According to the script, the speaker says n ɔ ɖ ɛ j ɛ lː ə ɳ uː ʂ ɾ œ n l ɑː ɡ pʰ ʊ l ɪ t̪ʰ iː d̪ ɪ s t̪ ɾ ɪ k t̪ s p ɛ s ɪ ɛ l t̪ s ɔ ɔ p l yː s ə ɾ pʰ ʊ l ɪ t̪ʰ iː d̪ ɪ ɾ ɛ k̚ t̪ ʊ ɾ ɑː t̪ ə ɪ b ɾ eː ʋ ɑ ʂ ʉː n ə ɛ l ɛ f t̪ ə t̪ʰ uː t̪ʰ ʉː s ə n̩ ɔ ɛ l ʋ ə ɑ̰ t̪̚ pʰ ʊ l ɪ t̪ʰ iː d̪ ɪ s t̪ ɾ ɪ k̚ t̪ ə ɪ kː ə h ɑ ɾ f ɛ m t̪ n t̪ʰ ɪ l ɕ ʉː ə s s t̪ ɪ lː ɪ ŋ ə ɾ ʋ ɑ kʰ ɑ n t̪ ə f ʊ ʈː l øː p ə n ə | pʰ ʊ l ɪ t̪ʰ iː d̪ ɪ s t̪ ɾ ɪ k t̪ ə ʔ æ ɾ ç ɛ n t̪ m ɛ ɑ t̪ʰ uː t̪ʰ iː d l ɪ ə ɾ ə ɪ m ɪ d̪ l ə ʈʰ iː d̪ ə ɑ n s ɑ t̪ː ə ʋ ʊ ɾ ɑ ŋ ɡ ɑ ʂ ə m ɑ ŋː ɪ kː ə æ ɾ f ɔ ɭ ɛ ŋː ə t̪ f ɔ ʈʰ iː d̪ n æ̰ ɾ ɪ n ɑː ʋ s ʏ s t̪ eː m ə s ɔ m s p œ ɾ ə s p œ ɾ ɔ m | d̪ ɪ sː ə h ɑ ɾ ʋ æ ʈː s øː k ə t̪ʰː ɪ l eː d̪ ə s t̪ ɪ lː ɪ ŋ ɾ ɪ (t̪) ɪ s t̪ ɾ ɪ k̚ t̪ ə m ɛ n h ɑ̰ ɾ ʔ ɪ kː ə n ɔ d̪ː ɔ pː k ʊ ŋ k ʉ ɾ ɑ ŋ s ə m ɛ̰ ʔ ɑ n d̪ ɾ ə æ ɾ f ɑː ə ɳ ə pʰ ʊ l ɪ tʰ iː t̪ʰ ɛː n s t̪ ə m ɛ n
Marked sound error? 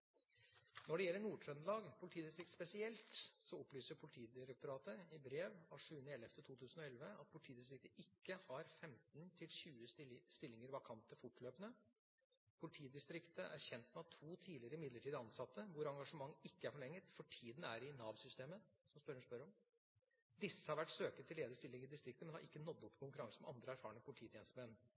yes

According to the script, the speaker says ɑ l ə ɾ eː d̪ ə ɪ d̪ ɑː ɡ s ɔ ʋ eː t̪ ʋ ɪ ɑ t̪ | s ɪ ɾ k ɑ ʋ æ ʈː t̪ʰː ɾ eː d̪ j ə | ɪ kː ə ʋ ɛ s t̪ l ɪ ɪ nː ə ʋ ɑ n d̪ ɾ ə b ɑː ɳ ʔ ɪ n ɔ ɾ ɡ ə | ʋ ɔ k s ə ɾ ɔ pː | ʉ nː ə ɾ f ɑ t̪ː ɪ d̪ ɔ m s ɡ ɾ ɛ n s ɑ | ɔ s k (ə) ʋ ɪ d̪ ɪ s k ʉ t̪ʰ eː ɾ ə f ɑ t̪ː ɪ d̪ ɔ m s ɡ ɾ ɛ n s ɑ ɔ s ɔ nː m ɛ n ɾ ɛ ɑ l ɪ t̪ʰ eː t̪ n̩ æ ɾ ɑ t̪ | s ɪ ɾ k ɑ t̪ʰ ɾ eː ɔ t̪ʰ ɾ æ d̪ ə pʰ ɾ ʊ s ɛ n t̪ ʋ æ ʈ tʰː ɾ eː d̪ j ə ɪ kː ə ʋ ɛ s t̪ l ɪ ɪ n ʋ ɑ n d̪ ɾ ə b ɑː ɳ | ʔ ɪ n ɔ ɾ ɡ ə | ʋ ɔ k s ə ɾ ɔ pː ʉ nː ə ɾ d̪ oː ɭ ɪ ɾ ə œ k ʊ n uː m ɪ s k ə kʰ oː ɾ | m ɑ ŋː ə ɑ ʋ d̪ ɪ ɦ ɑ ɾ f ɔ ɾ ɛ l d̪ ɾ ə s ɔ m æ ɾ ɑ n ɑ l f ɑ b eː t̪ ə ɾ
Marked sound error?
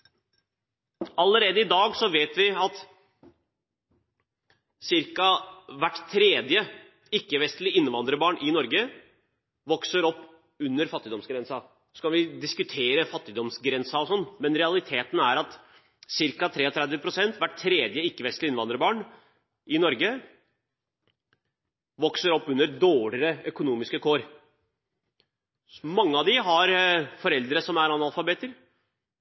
yes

